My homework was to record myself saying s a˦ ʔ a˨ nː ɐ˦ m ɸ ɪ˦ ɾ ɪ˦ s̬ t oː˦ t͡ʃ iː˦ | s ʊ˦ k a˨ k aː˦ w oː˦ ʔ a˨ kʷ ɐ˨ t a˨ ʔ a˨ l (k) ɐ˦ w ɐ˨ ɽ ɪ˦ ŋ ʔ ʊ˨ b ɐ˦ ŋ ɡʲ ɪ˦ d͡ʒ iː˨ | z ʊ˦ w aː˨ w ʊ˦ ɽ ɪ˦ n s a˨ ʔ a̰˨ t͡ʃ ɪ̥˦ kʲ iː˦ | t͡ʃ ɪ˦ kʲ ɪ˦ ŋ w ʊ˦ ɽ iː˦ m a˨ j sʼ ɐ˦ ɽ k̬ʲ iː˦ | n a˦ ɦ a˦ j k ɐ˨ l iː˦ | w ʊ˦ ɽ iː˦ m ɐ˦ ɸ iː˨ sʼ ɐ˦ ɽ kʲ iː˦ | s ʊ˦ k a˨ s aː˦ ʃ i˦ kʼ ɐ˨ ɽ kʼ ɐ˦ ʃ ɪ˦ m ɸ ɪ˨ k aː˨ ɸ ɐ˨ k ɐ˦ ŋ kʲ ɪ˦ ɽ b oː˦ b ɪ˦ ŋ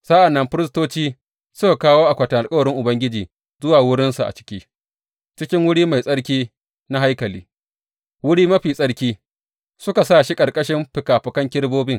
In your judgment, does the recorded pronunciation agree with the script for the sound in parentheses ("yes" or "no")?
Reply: no